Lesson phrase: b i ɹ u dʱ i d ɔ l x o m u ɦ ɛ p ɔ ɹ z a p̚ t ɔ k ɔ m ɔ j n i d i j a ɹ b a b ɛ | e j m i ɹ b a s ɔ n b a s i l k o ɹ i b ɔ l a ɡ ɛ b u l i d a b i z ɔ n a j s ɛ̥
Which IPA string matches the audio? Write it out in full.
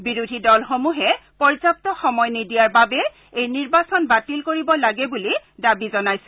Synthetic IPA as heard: b i ɹ u dʱ i d ɔ l x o m u ɦ ɛ p ɔ ɹ z a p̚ t ɔ x ɔ m ɔ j n i d i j a ɹ b a b ɛ | e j n i ɹ b a s ɔ n b a t i l k o ɹ i b ɔ l a ɡ ɛ b u l i d a b i z ɔ n a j s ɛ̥